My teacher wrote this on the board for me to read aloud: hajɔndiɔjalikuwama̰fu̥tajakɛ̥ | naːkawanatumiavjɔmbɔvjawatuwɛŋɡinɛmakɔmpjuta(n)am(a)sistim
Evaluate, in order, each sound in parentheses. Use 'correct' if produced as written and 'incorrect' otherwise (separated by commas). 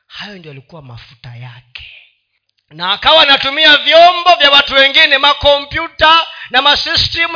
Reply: correct, correct